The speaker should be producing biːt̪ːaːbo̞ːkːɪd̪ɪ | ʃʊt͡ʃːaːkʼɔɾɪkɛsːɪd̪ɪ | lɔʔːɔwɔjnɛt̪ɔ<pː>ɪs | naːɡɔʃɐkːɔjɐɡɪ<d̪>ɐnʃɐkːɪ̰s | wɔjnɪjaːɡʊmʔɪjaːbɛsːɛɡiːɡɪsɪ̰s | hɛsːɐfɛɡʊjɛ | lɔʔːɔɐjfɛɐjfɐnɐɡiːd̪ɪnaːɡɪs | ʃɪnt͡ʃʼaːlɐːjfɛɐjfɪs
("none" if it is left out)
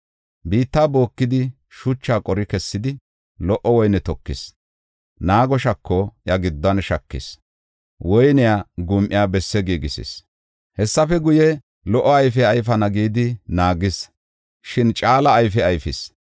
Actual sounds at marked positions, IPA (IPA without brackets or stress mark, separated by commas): kː, d̪ː